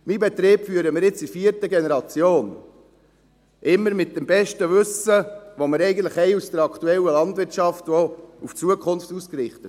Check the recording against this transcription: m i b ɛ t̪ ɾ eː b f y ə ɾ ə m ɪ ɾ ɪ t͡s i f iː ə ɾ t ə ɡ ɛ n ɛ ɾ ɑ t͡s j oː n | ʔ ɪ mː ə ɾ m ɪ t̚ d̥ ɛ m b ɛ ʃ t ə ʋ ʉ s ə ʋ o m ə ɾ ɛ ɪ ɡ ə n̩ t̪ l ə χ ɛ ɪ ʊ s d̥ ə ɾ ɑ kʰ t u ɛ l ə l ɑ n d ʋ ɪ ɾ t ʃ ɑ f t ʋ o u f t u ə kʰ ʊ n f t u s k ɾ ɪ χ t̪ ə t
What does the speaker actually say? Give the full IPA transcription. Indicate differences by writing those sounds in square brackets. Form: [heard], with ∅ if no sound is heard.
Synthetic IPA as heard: m i b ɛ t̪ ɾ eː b f y ə ɾ ə m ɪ ɾ ɪ t͡s i f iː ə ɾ t ə ɡ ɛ n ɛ ɾ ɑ t͡s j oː n | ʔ ɪ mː ə ɾ m ɪ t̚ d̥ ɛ m b ɛ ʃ t ə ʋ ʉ s ə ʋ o m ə ɾ ɛ ɪ ɡ ə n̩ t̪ l ə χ ɛ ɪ [u] s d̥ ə ɾ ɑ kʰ t u ɛ l ə l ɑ n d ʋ ɪ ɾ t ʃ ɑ f t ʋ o u f [t͡s] u ə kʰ ʊ n f t u s k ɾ ɪ χ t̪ ə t

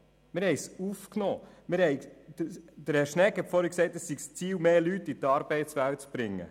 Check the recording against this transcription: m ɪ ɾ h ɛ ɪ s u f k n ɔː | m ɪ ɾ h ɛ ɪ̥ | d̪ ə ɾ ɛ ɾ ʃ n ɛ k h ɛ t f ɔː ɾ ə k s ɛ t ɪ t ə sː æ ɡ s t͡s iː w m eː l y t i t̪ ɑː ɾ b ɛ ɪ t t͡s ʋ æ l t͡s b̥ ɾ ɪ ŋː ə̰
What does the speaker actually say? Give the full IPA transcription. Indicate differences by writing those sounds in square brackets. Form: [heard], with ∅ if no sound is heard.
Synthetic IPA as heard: m ɪ ɾ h ɛ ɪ s u f k n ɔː | m ɪ ɾ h ɛ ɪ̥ | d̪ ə ɾ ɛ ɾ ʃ n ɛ k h ɛ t f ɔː ɾ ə k s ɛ [∅] ɪ t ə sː [i] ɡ s t͡s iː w m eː l y t i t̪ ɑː ɾ b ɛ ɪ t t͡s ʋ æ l t͡s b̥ ɾ ɪ ŋː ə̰

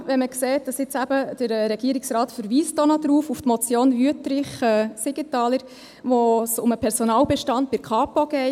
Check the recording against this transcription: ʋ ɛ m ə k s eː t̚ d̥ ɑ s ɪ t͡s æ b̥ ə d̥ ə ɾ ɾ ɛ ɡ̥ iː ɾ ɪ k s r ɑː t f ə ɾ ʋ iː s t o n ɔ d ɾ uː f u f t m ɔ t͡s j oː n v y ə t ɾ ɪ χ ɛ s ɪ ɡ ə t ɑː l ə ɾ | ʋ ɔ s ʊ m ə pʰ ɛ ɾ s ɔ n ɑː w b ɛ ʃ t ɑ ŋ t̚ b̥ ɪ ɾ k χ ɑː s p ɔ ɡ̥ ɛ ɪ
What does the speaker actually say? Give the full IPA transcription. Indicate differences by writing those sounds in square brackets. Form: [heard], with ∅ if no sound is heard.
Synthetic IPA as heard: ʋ ɛ m ə k s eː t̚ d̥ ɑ s ɪ t͡s æ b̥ ə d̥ ə ɾ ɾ ɛ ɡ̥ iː ɾ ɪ k s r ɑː t f ə ɾ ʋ iː s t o n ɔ d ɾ uː f u f t m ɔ t͡s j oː n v y ə t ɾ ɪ χ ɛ s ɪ ɡ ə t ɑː l ə ɾ | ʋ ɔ s ʊ m ə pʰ ɛ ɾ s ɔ n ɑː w b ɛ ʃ t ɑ [n] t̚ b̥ ɪ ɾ k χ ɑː [∅] p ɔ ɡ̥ ɛ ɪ

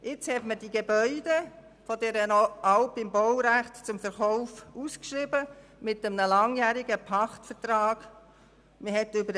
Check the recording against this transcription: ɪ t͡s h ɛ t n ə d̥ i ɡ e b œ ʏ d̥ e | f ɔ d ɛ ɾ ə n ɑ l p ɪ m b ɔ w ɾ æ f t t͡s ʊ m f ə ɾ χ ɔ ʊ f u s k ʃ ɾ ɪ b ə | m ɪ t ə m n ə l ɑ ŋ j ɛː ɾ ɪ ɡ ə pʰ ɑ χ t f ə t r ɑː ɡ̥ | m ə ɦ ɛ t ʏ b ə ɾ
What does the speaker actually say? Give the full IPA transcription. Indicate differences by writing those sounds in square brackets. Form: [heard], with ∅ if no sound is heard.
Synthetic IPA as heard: ɪ t͡s h ɛ t [m] ə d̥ i ɡ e b œ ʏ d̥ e | f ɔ d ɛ ɾ ə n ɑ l p ɪ m b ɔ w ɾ æ [χ] t t͡s ʊ m f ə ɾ χ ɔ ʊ f u s k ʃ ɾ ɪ b ə | m ɪ t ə m n ə l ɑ ŋ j [æː] ɾ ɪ ɡ ə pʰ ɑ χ t f ə t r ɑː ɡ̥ | m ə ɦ ɛ t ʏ b ə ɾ

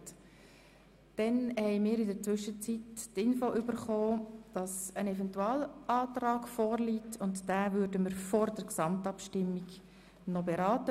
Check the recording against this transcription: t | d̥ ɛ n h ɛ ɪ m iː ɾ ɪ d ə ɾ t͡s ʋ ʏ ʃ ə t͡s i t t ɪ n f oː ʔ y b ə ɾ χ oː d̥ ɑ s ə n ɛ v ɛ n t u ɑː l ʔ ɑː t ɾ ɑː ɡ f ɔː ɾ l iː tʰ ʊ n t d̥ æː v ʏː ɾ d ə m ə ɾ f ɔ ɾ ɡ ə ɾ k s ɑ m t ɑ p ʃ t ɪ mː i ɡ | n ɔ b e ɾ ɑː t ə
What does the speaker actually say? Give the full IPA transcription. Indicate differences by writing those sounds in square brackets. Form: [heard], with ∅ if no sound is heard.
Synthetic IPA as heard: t | d̥ ɛ n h ɛ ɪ m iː ɾ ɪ d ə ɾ t͡s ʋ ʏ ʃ ə t͡s i t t ɪ n f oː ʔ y b ə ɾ χ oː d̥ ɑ s ə n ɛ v ɛ n t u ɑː l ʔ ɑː t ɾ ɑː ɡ f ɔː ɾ l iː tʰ ʊ n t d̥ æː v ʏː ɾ d ə m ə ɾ f ɔ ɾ [d] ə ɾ k s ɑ m t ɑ p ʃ t ɪ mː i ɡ | n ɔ b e ɾ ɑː t ə

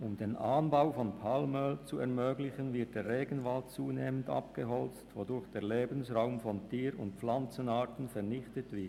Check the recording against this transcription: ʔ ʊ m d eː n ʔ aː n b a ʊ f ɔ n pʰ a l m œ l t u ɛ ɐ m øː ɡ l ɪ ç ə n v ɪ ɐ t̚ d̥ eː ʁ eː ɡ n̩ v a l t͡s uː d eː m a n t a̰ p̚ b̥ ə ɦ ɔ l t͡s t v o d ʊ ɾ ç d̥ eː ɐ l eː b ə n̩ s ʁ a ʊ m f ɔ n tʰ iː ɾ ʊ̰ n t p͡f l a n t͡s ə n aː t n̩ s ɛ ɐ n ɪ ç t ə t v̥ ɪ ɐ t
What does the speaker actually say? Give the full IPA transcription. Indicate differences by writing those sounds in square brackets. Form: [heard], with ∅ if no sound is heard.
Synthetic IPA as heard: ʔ ʊ m d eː n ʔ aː n b a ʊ f ɔ n pʰ a l m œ l [t͡s] u ɛ ɐ m øː ɡ l ɪ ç ə n v ɪ ɐ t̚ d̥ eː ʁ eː ɡ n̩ v a l t͡s uː [n] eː m [ə] n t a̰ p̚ [ɡ̥] ə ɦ ɔ l t͡s t v o d ʊ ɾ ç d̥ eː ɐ l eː b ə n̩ s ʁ a ʊ m f ɔ n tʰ iː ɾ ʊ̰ n t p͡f l a n t͡s ə n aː t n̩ [f] ɛ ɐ n ɪ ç t ə t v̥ ɪ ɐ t

